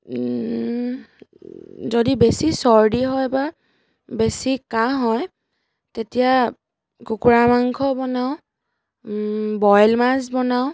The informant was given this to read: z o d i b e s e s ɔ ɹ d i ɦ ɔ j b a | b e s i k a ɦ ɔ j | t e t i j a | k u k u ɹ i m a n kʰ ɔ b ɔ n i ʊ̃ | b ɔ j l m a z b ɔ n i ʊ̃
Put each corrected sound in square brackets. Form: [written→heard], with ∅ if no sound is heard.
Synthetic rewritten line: z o d i b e s [e→i] s ɔ ɹ d i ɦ ɔ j b a | b e s i k a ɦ ɔ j | t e t i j a | k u k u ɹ [i→a] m a [n→ŋ] kʰ ɔ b ɔ n [i→a] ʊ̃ | b ɔ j l m a z b ɔ n [i→a] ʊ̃